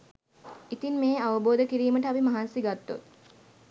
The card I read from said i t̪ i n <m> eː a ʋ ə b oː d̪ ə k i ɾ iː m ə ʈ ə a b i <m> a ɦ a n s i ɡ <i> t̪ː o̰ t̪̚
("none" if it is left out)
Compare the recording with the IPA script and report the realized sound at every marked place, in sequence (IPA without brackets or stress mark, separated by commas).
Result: m, m, a